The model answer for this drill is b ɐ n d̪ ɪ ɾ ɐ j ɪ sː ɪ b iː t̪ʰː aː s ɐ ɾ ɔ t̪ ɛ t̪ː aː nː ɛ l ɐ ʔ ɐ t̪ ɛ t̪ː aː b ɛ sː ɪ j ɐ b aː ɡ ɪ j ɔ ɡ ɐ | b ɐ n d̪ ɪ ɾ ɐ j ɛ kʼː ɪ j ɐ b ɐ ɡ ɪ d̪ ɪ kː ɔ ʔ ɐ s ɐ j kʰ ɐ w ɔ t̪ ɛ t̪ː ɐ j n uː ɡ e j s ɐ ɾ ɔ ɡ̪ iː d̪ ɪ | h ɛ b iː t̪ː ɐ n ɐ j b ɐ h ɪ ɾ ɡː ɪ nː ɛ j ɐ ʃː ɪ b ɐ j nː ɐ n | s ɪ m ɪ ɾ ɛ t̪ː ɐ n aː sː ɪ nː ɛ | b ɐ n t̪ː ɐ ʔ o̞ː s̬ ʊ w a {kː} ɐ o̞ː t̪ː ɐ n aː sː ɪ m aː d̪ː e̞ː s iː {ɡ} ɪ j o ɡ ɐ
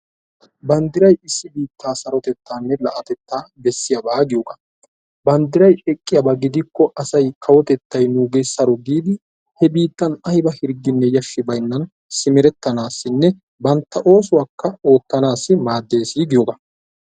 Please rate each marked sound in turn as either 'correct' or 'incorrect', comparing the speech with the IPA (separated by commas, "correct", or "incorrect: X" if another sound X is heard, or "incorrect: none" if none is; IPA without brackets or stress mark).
correct, correct